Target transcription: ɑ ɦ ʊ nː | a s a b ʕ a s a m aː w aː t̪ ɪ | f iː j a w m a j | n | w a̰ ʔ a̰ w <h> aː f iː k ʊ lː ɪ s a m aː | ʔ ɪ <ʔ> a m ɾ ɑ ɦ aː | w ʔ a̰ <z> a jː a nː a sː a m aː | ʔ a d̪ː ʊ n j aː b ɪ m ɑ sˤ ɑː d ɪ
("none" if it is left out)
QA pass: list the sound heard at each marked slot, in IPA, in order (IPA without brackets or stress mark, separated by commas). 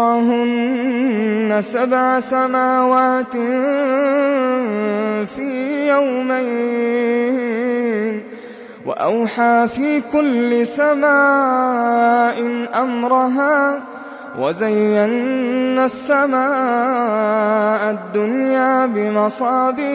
ħ, ʔ, z